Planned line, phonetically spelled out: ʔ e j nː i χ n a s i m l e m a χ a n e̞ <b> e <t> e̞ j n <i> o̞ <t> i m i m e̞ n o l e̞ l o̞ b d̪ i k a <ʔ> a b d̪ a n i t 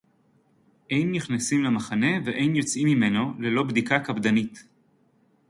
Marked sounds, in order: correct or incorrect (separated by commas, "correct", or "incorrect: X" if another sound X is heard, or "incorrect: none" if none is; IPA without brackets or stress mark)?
incorrect: v, incorrect: ʔ, incorrect: j, incorrect: t͡s, incorrect: k